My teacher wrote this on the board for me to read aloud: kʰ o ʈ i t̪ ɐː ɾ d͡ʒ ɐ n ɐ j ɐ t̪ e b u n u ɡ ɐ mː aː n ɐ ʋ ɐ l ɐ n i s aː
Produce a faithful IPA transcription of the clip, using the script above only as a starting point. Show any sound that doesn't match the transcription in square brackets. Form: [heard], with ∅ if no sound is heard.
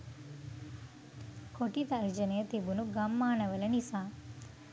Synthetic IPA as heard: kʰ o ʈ i t̪ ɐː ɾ d͡ʒ ɐ n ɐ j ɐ t̪ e b u n u ɡ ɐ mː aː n ɐ ʋ ɐ l ɐ n i s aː

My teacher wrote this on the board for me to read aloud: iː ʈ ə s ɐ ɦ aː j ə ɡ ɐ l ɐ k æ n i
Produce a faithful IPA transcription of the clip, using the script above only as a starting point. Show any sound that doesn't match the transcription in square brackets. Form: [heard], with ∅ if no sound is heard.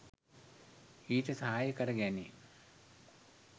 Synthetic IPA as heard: iː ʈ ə s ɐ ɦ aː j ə [k] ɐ [ɾ] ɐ [ɡ] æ n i

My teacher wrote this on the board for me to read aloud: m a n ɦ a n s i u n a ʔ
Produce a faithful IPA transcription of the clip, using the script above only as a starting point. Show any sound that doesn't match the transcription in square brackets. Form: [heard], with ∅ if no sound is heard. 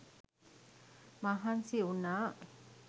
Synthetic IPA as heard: m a [∅] ɦ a n s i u n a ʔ

